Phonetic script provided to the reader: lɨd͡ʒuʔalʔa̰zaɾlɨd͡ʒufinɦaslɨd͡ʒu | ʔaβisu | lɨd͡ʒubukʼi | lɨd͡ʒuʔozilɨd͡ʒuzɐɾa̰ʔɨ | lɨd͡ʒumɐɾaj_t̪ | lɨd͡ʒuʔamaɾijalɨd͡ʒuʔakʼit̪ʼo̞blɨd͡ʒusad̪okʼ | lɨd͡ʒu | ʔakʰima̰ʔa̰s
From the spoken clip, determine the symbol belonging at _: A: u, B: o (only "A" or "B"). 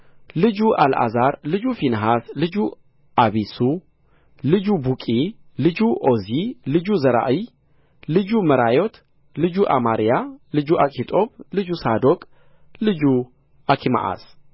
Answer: B